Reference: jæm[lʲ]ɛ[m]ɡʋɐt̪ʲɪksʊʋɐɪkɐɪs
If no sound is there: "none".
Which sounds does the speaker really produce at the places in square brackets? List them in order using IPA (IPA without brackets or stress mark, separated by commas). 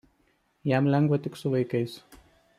lʲ, ŋ